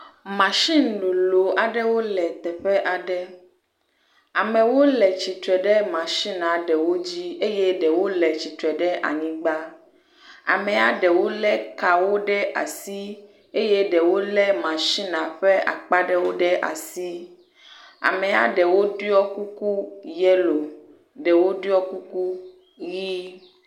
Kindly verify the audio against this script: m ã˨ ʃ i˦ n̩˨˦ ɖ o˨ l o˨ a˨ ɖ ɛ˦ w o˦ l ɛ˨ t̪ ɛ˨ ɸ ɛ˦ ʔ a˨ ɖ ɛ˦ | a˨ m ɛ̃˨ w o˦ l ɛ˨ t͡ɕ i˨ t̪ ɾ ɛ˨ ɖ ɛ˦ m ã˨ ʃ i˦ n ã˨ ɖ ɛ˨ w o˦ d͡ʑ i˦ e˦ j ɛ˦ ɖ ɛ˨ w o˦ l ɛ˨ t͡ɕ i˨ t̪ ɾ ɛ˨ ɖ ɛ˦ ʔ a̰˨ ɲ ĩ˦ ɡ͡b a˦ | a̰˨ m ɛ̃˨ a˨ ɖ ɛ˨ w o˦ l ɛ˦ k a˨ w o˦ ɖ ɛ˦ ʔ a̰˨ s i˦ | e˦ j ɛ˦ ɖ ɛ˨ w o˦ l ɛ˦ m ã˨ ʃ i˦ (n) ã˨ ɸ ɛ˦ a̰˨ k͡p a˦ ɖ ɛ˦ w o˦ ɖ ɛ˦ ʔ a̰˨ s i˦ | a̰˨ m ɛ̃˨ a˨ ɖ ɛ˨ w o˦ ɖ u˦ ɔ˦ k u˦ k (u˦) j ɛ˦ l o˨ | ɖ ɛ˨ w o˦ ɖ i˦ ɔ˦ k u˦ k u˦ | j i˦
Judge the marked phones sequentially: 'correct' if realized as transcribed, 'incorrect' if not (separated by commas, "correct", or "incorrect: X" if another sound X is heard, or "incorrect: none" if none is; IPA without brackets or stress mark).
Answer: correct, correct